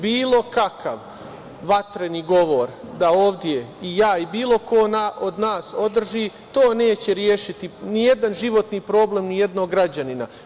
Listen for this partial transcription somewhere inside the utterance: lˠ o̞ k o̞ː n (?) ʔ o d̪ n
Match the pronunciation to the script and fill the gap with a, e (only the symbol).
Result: a